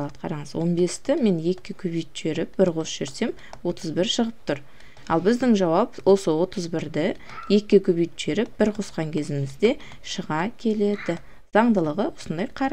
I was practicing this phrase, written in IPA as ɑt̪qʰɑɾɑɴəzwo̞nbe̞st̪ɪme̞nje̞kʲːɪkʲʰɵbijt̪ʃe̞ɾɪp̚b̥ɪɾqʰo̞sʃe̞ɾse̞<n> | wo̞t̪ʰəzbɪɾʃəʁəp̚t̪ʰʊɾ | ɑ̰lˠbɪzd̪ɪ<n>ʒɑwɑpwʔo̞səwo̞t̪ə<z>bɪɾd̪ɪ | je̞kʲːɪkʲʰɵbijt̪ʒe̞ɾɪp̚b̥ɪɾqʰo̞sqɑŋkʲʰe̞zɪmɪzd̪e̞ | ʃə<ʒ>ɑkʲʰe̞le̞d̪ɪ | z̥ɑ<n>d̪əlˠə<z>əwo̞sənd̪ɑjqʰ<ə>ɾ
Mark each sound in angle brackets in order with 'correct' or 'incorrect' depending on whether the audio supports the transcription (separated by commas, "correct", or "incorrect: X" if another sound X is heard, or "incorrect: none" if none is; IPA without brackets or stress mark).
incorrect: m, incorrect: ŋ, correct, incorrect: ʁ, incorrect: ɴ, incorrect: ʁ, incorrect: ɑ